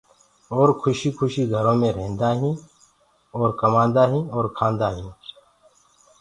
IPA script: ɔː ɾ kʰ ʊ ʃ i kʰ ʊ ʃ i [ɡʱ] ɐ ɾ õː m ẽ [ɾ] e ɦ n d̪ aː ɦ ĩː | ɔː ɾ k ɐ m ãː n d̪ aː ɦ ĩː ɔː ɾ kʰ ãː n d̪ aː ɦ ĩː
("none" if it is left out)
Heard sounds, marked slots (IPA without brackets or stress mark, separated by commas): ɡʱ, ɾ